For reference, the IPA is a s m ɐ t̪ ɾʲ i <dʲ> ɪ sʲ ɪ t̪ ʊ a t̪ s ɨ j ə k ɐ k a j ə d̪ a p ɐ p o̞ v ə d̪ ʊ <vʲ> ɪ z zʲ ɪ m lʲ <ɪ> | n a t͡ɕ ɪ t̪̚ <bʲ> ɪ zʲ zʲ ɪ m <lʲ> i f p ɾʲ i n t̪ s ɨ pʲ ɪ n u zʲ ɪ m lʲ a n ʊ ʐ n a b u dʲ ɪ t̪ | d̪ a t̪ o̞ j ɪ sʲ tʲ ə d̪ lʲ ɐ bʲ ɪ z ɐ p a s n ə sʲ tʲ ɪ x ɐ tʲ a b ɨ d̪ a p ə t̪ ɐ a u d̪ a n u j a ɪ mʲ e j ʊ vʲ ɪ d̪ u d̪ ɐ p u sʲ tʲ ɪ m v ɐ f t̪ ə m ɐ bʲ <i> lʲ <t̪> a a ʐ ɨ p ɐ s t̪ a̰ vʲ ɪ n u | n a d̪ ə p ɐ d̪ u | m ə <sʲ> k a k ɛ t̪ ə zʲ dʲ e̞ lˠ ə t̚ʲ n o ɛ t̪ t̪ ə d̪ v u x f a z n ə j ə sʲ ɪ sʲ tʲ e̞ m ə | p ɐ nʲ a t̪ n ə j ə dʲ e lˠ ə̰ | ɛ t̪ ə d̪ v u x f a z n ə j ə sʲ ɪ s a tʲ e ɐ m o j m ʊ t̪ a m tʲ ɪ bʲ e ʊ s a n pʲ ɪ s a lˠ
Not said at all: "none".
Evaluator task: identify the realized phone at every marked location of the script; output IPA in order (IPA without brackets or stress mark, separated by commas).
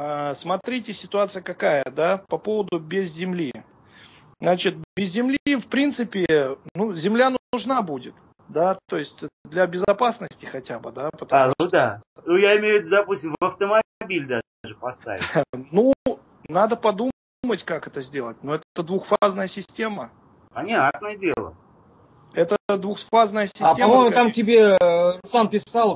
tʲ, bʲ, i, bʲ, lʲ, i, d̪, tʲ